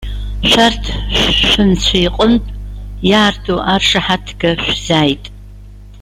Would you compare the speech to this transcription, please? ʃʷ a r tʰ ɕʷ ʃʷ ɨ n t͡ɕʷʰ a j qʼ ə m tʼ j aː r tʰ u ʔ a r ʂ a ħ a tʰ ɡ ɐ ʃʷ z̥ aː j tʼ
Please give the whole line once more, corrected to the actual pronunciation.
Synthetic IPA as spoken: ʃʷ a r tʰ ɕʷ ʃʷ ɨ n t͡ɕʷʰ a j qʼ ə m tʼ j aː r tʰ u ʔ a r ʂ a ħ a tʰ ɡ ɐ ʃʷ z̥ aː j tʼ

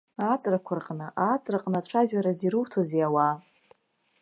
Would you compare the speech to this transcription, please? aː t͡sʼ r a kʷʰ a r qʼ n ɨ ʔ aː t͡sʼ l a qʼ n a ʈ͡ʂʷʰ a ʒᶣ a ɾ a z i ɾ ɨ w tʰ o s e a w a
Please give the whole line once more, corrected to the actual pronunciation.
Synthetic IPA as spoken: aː t͡sʼ r a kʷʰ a r qʼ n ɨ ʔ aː t͡sʼ r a qʼ n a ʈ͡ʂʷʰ a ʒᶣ a ɾ a z i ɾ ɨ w tʰ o z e a w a

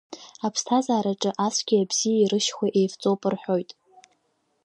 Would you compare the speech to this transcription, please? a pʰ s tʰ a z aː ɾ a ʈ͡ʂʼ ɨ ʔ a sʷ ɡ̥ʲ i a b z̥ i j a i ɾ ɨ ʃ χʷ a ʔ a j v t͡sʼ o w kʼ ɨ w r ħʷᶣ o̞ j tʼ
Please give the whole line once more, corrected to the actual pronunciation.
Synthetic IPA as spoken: a pʰ s tʰ a z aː ɾ a ʈ͡ʂʼ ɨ ʔ a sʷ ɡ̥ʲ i a b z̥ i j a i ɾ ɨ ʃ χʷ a ʔ e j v t͡sʼ o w pʼ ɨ r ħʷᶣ o̞ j tʼ

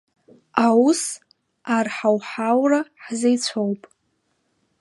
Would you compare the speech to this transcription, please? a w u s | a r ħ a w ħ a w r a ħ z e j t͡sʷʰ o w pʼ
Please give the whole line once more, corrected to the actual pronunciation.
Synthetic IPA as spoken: a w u s | a r ħ a w ħ a w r a ħ z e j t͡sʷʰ o w pʼ

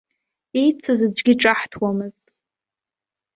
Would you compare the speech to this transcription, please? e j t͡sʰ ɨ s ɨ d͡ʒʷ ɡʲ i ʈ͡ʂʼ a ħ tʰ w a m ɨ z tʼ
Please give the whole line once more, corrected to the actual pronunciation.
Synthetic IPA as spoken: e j t͡sʰ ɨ z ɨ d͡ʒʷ ɡʲ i ʈ͡ʂʼ a ħ tʰ w a m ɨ z tʼ

